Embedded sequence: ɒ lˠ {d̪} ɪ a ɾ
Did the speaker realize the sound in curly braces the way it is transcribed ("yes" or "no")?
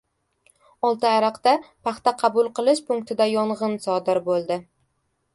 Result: no